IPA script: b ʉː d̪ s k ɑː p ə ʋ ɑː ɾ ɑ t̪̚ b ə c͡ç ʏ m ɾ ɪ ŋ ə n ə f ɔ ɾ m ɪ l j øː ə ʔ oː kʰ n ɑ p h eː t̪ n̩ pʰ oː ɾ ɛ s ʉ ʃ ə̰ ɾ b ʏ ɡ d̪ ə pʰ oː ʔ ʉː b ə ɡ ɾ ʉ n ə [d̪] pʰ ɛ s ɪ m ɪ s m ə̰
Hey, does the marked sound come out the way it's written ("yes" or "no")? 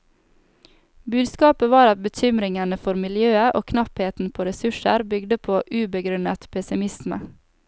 no